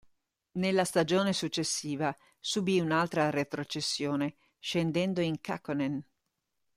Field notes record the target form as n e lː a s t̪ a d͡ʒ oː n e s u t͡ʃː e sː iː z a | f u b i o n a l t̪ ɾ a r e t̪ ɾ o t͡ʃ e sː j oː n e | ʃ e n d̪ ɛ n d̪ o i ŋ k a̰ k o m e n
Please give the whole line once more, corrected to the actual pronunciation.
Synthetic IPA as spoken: n e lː a s t̪ a d͡ʒ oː n e s u t͡ʃː e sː iː v a | s u b i u n a l t̪ ɾ a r e t̪ ɾ o t͡ʃ e sː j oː n e | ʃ e n d̪ ɛ n d̪ o i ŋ k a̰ k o n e n